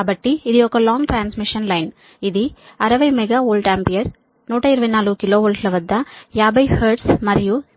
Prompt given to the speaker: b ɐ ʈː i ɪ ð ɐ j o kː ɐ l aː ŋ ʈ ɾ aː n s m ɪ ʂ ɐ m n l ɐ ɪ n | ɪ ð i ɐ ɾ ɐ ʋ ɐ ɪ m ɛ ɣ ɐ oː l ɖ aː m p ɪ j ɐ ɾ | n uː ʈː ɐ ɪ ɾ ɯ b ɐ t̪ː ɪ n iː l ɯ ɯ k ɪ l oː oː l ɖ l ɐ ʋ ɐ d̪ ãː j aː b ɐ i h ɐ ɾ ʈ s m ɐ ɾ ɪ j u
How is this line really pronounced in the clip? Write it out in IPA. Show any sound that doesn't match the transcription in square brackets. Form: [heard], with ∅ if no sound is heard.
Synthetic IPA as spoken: b ɐ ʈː i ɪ ð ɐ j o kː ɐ l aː ŋ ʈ ɾ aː n s m ɪ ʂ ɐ [∅] n l ɐ ɪ n | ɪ ð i ɐ ɾ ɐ ʋ ɐ ɪ m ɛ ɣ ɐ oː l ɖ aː m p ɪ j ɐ ɾ | n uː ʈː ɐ ɪ ɾ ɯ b ɐ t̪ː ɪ n [aː] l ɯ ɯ k ɪ l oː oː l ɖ l ɐ ʋ ɐ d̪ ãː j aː b ɐ [ɪ] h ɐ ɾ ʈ s m ɐ ɾ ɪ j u